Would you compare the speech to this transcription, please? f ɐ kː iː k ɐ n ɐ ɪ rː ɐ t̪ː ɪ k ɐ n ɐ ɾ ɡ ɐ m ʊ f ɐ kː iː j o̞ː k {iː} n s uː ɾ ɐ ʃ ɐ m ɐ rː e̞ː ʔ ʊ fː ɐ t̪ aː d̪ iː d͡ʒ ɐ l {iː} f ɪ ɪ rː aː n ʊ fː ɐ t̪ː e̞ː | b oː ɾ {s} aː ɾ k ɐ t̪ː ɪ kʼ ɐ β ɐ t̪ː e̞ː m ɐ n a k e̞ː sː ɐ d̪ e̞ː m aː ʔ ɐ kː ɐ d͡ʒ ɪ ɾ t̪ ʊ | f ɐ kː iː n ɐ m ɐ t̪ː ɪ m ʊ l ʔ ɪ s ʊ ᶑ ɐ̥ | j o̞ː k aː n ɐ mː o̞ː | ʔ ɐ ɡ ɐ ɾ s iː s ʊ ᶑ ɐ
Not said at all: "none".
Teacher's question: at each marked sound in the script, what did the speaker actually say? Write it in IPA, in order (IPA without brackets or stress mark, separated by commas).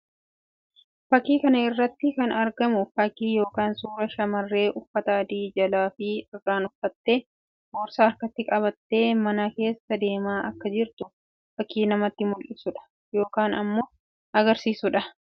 aː, aː, s